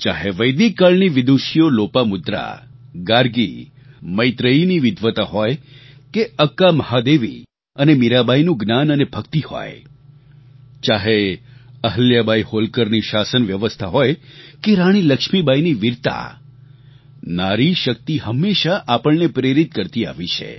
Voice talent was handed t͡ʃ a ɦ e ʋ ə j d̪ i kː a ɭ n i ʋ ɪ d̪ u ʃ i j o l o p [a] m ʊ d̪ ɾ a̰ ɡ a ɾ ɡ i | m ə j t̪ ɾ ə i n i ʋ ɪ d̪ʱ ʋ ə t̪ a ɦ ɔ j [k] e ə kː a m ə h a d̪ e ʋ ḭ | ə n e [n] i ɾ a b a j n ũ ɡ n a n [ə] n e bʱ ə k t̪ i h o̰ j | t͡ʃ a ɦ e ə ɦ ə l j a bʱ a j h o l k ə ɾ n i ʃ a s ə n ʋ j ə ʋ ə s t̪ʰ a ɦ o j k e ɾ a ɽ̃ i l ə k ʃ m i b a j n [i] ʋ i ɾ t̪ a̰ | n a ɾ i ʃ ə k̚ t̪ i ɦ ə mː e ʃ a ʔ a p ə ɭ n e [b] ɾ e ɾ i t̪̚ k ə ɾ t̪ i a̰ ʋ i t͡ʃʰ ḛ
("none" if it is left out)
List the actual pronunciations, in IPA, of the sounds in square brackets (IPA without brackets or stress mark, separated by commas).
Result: a, k, m, ə, i, p